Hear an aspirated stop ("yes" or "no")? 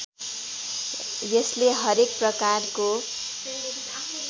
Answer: no